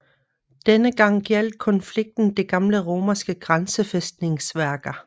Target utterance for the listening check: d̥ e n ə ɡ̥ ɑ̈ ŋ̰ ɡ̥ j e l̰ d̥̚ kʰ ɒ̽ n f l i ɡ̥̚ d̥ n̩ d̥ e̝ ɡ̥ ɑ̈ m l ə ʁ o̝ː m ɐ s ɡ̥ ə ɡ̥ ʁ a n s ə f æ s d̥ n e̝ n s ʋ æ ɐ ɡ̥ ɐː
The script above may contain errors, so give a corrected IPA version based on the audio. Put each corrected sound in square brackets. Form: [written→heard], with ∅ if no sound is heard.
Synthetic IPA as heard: d̥ e n ə ɡ̥ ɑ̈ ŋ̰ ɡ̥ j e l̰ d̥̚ kʰ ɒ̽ n f l i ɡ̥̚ d̥ n̩ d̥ e̝ ɡ̥ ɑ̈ m l ə ʁ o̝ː m ɐ s ɡ̥ ə ɡ̥ ʁ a n s ə f [æ→e] s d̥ n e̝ [n→ŋ] s ʋ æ ɐ ɡ̥ [ɐː→ɐ]